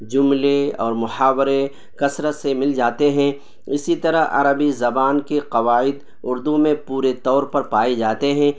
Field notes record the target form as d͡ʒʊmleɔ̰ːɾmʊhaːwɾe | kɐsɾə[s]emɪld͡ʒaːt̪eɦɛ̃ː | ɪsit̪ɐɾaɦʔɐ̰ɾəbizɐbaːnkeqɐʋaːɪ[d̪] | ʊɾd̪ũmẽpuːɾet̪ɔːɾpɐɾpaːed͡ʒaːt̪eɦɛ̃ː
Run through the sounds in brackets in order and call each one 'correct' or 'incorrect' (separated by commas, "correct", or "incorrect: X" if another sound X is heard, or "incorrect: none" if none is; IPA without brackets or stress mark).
correct, correct